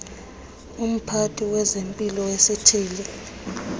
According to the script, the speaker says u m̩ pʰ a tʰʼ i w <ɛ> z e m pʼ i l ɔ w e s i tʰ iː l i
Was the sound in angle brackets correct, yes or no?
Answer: yes